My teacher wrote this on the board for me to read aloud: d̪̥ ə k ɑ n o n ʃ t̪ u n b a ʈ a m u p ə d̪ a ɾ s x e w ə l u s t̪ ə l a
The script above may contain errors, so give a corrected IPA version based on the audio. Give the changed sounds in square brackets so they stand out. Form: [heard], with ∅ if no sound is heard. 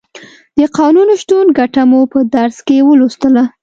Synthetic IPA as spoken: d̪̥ ə [q] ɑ n [u] n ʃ t̪ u n [ɡ] a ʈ a m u p ə d̪ a ɾ s [k] e w ə l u s t̪ ə l a